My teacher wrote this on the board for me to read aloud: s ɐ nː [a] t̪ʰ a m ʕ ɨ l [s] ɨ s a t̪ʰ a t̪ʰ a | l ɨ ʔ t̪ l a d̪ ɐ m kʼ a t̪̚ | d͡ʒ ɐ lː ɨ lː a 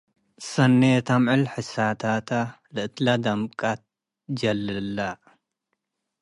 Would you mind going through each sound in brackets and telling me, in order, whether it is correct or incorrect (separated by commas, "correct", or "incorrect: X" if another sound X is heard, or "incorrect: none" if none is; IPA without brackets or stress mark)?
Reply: incorrect: e, incorrect: ħ